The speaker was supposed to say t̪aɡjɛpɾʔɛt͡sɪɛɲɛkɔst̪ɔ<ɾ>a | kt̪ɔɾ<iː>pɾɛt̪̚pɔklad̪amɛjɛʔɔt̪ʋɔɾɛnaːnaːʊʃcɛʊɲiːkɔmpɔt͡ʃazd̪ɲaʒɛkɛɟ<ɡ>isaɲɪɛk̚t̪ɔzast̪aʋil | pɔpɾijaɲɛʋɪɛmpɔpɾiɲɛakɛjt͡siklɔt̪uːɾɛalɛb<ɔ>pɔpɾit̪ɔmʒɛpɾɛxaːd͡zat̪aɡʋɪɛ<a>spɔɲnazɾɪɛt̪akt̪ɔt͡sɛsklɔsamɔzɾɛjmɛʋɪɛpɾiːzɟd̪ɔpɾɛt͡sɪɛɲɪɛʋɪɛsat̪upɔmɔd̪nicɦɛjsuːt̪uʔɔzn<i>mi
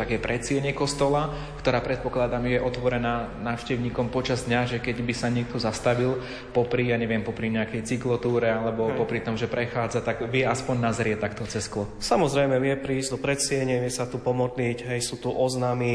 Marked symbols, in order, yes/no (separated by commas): no, no, no, yes, yes, no